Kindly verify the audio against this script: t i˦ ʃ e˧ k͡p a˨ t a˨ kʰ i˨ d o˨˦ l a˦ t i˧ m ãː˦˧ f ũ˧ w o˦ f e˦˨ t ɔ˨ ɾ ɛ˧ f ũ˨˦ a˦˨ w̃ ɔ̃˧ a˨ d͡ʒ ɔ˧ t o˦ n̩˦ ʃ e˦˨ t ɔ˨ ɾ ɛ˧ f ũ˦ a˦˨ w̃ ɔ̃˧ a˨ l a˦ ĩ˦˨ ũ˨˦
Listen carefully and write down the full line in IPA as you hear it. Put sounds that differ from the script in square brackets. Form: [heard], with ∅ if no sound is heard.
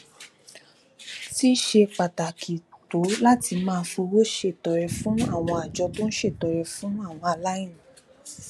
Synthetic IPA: t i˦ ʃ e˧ k͡p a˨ t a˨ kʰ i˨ [t] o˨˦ l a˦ t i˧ m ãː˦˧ f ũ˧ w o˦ [ʃ] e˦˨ t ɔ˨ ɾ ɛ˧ f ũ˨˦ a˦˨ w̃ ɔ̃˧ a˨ d͡ʒ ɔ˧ t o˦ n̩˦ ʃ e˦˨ t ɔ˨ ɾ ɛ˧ f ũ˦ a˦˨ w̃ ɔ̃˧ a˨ l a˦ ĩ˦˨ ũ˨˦